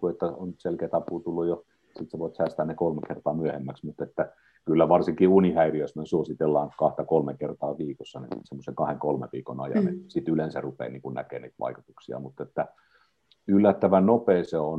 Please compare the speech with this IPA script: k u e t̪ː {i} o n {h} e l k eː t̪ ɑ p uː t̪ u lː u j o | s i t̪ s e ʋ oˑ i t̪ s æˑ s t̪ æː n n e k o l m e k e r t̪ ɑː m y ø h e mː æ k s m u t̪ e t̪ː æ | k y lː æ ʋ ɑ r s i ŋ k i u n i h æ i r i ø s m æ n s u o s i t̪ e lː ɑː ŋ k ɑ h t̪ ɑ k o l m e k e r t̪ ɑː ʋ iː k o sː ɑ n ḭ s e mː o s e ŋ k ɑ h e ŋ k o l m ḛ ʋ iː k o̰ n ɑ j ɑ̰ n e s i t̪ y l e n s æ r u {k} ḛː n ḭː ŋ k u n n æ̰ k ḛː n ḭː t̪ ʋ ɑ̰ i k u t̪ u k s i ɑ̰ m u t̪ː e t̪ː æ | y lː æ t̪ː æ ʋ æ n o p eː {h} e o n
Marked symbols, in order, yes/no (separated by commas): no, no, no, no